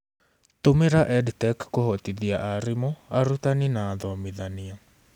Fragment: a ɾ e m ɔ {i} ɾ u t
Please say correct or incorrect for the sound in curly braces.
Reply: incorrect: a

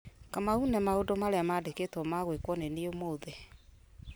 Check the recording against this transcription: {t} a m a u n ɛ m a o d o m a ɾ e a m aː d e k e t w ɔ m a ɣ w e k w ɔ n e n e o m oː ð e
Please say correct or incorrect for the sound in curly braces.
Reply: incorrect: k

